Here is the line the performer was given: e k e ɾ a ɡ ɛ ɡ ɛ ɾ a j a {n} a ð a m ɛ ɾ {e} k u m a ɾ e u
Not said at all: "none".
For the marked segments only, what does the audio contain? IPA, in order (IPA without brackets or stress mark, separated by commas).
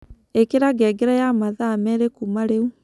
m, e